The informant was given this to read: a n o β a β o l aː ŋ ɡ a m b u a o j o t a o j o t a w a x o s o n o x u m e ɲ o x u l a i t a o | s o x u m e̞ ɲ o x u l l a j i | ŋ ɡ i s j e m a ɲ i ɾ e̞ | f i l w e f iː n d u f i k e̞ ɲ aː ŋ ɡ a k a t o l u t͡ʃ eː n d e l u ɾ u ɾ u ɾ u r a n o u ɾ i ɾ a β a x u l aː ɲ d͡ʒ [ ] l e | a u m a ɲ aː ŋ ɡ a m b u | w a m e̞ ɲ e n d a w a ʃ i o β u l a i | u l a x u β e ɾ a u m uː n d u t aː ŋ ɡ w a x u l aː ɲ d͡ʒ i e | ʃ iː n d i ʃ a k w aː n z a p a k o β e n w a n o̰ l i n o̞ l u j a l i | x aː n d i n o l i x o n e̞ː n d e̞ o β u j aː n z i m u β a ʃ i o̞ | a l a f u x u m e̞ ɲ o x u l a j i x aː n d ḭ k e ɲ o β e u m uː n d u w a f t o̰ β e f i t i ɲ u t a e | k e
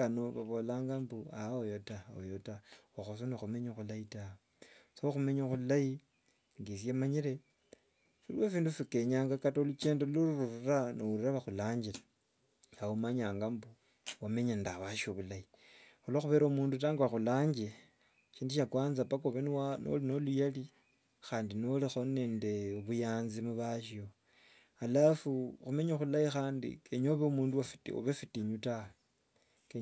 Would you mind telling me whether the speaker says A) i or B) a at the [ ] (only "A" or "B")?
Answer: A